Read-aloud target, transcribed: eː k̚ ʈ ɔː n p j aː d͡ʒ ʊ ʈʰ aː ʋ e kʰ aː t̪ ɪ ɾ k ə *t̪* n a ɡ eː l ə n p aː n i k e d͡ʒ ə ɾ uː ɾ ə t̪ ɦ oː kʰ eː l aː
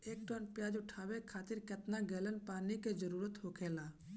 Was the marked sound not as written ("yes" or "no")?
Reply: no